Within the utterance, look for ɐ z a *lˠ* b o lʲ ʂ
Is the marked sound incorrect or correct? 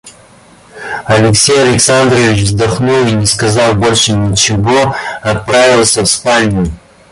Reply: correct